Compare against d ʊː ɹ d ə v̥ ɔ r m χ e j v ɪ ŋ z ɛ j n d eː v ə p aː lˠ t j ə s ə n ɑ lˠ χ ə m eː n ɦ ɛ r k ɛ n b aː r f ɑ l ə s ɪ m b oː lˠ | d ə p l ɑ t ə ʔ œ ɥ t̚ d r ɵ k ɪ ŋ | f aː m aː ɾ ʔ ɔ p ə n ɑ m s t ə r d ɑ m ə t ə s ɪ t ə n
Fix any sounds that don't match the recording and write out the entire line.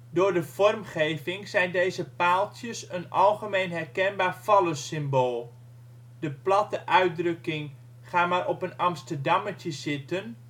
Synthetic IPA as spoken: d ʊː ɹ d ə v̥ ɔ r m χ e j v ɪ ŋ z ɛ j n d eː z ə p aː lˠ t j ə s ə n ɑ lˠ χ ə m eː n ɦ ɛ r k ɛ n b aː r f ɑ l ə s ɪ m b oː lˠ | d ə p l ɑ t ə ʔ œ ɥ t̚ d r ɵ k ɪ ŋ | χ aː m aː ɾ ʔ ɔ p ə n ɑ m s t ə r d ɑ m ə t ə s ɪ t ə n